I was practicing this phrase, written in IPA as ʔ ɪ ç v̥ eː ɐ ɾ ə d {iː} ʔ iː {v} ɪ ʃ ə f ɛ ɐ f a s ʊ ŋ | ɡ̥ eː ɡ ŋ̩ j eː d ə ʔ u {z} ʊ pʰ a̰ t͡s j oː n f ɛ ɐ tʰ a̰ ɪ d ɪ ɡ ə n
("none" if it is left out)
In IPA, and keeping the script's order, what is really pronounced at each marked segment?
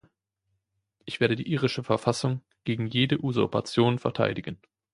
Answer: iː, ʁ, z

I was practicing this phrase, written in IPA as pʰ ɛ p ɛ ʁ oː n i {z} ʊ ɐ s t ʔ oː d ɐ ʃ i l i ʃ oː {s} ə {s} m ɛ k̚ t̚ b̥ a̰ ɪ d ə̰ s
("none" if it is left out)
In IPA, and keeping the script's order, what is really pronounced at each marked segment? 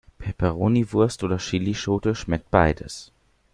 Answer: v, t, ʃ

